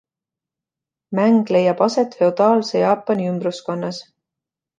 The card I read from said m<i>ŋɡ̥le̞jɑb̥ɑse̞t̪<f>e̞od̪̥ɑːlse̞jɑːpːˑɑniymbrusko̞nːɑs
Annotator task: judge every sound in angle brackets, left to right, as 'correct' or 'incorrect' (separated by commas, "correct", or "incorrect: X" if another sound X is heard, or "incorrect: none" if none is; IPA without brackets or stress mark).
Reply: incorrect: æ, correct